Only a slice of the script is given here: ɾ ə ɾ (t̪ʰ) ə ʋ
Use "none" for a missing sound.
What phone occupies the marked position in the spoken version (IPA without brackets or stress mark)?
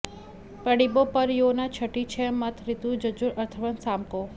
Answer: t̪ʰ